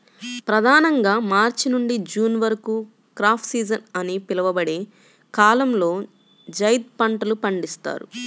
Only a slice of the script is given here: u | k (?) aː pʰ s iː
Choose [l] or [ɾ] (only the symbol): ɾ